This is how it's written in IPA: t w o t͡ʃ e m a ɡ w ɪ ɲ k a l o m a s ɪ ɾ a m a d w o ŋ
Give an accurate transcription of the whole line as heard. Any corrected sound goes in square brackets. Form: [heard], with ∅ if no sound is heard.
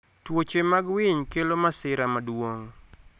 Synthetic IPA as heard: t w o t͡ʃ e m a ɡ w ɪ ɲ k [e] l o m a s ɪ ɾ a m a d w o ŋ